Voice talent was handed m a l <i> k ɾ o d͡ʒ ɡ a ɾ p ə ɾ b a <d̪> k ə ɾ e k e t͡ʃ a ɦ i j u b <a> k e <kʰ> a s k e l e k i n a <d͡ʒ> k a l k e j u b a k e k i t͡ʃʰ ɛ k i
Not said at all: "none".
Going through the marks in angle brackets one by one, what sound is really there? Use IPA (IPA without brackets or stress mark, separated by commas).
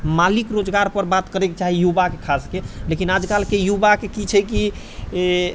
i, t̪, a, kʰ, d͡ʒ